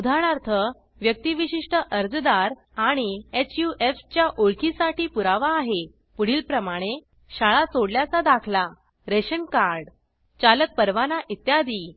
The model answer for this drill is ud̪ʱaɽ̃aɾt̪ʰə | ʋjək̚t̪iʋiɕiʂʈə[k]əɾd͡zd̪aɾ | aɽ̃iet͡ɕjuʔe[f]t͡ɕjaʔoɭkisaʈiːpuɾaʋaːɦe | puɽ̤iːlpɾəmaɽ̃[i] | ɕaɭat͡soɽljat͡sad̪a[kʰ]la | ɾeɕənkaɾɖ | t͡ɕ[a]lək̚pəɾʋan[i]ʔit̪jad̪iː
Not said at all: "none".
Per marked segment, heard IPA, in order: ʔ, f, e, kʰ, a, a

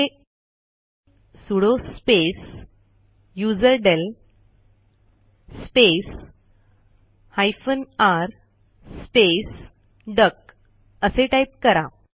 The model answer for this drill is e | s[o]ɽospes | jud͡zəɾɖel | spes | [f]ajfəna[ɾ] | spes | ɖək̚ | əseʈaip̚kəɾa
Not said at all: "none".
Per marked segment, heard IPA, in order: u, h, ɾ

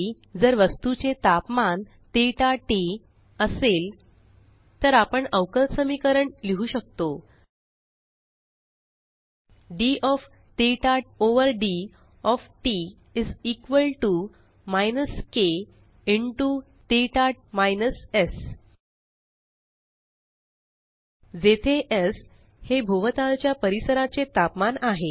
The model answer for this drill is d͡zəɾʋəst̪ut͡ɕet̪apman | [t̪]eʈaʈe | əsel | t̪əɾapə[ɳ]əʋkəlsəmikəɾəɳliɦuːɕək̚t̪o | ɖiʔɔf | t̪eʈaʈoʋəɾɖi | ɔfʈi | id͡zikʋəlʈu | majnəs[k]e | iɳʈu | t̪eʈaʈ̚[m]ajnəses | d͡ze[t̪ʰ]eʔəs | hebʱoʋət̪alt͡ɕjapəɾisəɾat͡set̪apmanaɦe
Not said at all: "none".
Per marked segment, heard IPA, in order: t̪, ɳ, k, m, t̪ʰ

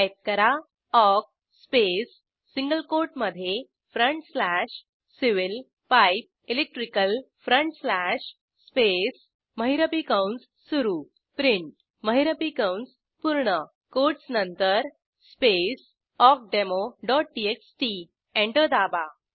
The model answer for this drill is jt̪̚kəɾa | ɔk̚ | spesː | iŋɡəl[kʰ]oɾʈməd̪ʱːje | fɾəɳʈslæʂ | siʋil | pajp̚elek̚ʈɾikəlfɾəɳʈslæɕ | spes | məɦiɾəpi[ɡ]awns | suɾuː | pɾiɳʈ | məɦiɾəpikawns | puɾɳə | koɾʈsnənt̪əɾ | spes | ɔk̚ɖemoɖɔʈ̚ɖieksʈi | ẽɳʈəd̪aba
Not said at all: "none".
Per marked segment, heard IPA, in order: k, k

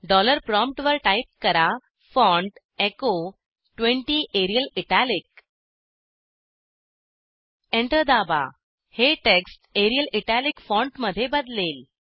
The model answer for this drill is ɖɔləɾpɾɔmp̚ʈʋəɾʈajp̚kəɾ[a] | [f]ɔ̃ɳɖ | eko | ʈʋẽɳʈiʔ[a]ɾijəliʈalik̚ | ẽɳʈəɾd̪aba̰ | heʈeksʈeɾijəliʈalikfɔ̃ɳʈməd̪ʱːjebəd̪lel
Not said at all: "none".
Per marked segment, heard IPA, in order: a, f, e

